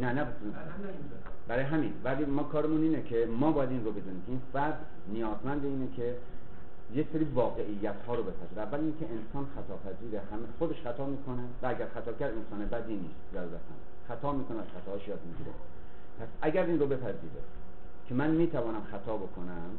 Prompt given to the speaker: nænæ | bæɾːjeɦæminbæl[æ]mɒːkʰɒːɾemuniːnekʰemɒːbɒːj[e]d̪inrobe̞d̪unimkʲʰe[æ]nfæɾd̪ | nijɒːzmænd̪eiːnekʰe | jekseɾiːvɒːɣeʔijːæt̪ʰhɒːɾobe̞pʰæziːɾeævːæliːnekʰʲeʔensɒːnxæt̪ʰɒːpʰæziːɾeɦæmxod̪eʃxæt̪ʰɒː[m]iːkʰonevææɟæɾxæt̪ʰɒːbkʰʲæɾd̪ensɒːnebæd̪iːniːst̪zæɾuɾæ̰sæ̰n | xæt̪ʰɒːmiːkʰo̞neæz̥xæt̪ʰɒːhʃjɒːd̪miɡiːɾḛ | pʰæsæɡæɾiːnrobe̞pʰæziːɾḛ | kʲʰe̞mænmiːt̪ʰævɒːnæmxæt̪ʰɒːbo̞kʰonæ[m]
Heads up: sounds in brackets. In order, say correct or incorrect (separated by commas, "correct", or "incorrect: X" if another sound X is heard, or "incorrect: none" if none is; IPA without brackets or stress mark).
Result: incorrect: i, incorrect: æ, incorrect: i, correct, correct